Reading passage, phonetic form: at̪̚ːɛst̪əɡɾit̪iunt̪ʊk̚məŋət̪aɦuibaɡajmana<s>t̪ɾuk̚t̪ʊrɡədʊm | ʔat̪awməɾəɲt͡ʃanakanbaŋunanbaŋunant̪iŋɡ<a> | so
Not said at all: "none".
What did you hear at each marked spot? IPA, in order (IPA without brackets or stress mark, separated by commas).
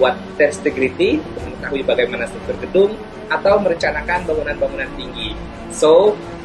s, i